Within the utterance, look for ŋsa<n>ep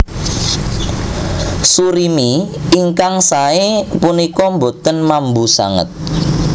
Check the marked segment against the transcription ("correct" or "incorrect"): incorrect